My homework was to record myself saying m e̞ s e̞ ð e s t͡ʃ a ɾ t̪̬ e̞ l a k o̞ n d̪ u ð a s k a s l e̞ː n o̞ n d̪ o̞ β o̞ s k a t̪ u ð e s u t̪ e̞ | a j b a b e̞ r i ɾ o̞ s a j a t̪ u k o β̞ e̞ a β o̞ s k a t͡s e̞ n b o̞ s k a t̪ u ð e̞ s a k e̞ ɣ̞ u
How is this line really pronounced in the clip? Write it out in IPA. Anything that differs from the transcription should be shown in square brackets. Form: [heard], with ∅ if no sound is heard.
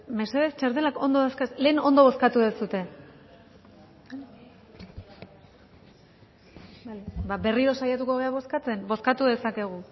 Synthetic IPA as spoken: m e̞ s e̞ ð e s t͡ʃ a ɾ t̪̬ e̞ l a k o̞ n d̪ [o] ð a s k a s l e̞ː n o̞ n d̪ o̞ β o̞ s k a t̪ u ð e s u t̪ e̞ | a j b a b e̞ r i ɾ o̞ s a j a t̪ u k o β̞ e̞ a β o̞ s k a t͡s e̞ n b o̞ s k a t̪ u ð e̞ s a k e̞ ɣ̞ u